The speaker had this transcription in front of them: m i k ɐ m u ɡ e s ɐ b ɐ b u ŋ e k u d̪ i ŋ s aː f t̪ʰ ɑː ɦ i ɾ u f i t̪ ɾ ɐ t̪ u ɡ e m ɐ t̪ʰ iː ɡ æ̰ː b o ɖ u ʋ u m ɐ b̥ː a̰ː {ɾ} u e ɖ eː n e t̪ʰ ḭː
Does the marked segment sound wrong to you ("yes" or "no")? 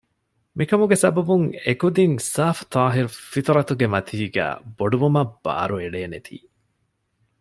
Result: no